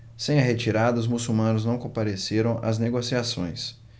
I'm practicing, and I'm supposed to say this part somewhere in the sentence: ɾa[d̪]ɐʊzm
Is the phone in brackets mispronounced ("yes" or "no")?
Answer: no